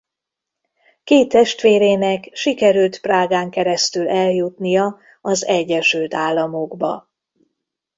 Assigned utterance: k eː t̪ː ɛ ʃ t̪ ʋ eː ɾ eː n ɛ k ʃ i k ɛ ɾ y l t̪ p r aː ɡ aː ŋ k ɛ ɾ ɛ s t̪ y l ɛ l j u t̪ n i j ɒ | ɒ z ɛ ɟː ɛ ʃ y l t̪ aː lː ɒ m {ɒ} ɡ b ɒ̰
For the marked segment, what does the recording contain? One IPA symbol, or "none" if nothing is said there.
o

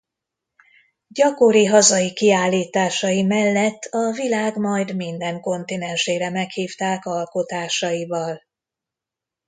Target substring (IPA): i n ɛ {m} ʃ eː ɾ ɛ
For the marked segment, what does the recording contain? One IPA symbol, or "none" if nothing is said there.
n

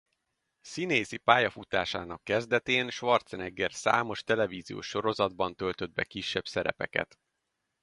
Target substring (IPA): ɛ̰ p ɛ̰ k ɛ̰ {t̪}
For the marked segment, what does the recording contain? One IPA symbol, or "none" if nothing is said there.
t̪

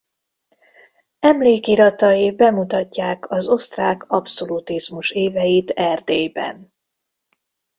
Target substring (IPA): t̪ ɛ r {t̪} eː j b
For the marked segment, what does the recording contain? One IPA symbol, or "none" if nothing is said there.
d̪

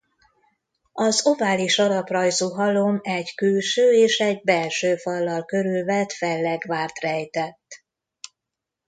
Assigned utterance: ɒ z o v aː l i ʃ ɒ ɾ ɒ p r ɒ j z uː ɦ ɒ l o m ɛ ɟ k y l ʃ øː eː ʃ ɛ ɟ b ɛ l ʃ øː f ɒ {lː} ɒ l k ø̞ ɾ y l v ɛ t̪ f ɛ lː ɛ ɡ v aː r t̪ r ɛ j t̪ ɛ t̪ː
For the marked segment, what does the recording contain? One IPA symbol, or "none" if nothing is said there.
lː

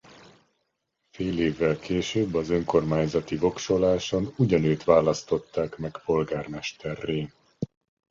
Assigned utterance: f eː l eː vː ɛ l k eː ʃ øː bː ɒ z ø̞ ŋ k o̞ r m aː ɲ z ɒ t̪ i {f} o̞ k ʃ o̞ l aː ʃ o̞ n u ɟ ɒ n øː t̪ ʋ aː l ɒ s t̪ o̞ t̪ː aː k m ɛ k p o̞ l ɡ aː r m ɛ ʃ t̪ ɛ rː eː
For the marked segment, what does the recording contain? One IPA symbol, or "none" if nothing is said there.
v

